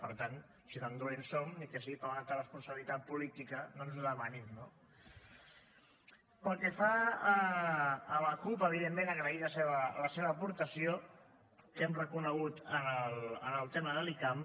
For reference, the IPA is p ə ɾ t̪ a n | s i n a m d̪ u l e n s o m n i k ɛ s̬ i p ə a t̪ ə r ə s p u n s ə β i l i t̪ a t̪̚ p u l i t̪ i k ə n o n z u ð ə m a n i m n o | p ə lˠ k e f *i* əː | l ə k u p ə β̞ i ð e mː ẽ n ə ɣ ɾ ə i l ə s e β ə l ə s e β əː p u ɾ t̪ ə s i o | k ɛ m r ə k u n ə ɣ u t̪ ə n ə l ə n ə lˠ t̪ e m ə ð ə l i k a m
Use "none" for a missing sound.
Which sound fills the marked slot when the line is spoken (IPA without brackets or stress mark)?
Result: a